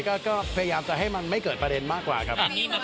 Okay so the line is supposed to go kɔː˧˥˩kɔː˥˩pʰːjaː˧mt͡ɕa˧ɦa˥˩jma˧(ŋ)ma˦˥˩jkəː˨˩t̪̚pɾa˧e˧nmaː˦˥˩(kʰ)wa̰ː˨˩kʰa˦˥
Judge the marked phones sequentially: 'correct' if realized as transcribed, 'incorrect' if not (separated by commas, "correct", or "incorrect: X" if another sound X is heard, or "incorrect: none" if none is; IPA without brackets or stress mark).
incorrect: n, incorrect: k